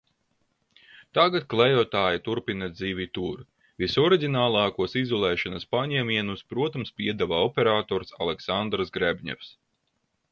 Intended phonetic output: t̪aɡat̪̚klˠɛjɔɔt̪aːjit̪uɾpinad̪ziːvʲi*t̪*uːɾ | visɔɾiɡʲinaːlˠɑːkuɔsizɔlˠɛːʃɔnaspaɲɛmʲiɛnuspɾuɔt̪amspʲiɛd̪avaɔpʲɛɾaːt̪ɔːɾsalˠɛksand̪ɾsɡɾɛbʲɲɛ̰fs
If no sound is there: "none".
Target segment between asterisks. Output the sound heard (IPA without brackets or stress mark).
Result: t̪